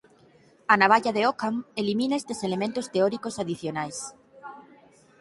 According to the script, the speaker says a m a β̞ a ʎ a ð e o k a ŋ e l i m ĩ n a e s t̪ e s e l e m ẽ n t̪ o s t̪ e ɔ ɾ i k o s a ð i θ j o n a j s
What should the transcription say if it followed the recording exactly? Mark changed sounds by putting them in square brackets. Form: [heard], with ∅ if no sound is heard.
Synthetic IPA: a [n] a β̞ a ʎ a ð e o k a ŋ e l i m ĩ n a e s t̪ e s e l e m ẽ n t̪ o s t̪ e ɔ ɾ i k o s a ð i θ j o n a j s